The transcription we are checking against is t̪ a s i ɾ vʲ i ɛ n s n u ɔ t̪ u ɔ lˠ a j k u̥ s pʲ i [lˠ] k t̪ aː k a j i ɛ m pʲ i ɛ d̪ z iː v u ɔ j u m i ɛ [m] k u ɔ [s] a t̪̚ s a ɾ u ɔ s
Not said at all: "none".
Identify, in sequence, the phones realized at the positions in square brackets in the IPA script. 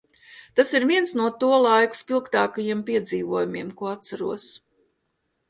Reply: lˠ, m, none

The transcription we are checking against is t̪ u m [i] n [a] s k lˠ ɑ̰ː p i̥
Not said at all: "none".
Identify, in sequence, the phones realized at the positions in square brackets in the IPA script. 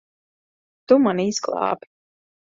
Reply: a, i

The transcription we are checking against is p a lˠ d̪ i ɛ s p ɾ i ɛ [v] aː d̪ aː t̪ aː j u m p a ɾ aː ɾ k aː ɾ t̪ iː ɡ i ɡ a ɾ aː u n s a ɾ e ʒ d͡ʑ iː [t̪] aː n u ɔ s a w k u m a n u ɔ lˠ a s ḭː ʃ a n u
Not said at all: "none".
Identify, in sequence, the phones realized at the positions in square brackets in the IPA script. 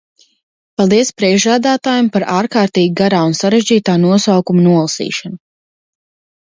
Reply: ʒ, t̪

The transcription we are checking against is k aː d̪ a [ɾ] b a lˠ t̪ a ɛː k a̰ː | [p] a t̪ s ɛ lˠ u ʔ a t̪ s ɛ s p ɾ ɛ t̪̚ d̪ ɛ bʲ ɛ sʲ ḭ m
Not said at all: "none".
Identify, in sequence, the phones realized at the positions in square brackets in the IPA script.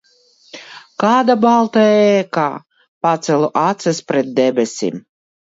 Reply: none, p

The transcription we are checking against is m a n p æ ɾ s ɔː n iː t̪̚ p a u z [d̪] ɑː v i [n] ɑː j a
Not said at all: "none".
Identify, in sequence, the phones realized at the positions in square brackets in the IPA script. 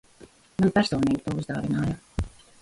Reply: d̪, n

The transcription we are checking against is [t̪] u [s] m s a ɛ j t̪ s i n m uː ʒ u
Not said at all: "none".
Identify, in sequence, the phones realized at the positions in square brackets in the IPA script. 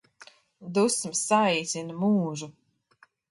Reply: d̪, s

